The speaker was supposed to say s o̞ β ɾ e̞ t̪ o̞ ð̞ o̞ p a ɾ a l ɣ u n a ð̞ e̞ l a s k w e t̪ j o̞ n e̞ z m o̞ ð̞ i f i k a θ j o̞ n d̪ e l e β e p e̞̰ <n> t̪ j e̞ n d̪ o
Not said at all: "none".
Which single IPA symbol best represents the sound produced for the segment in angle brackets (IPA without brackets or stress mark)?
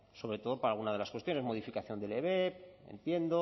n